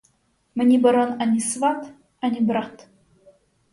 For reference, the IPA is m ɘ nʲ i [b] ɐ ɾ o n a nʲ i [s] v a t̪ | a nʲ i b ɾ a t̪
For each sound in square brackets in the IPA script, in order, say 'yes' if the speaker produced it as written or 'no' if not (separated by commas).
yes, yes